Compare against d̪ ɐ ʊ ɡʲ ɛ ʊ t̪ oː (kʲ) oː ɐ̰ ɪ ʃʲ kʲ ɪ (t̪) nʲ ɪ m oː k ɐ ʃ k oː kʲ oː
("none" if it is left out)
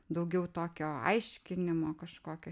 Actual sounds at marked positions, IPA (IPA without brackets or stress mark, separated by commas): kʲ, none